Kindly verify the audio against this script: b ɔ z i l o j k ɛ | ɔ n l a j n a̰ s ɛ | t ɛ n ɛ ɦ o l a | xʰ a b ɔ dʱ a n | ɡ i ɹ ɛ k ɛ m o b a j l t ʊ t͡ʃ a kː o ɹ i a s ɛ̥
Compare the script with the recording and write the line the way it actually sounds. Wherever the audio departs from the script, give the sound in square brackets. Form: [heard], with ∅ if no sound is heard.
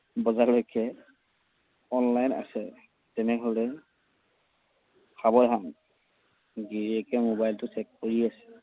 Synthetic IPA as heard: b ɔ z [a] l o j k ɛ | ɔ n l a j n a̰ s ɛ | t ɛ n ɛ ɦ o l [ɛ] | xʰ a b ɔ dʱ a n | ɡ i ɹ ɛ k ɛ m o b a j l t ʊ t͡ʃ [ɛ] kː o ɹ i a s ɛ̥